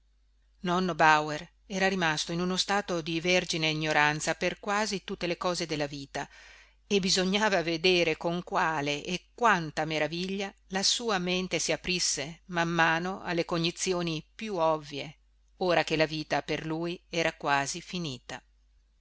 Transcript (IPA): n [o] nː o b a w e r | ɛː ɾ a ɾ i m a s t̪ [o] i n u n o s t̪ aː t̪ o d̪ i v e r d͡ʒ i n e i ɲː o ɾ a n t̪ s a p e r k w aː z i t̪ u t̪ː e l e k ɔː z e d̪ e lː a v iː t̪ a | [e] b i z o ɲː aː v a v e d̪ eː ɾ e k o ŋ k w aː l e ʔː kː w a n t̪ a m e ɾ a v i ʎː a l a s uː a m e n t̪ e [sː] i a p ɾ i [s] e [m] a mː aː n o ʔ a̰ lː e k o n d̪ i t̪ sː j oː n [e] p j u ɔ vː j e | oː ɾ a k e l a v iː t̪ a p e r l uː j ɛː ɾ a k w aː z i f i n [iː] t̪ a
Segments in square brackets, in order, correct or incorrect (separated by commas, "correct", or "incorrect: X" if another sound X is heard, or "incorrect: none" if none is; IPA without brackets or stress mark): incorrect: ɔ, correct, correct, incorrect: s, incorrect: sː, correct, incorrect: i, correct